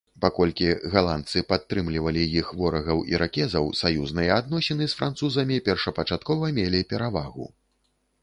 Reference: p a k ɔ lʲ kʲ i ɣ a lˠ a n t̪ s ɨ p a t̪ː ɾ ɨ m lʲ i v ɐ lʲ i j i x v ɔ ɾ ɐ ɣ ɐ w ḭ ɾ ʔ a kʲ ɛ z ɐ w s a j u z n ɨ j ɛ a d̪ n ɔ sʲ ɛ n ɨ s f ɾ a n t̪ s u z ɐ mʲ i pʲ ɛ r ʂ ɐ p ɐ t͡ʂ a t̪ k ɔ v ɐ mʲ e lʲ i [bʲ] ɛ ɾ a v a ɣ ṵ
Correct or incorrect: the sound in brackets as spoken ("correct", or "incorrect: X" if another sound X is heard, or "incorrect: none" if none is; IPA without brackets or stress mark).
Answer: incorrect: pʲ